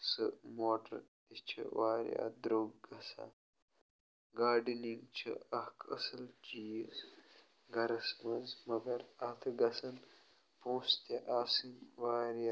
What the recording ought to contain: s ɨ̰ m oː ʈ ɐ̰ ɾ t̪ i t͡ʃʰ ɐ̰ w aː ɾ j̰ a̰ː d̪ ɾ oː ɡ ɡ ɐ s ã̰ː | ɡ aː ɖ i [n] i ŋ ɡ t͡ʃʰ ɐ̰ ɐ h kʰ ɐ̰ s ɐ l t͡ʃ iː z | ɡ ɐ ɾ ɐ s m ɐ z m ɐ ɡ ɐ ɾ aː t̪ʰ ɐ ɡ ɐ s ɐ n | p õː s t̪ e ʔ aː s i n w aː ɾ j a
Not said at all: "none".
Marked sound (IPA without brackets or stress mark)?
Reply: n